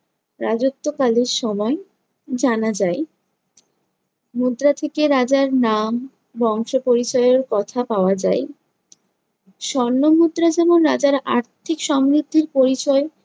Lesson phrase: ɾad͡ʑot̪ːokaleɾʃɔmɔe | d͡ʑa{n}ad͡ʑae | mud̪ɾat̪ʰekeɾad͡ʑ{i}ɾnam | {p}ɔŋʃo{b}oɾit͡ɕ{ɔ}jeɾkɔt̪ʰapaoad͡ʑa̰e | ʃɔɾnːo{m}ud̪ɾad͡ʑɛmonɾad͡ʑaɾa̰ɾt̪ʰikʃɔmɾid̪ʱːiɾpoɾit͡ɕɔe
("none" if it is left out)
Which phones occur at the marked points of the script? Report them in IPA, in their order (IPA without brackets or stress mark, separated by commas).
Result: n, a, b, p, ɔ, m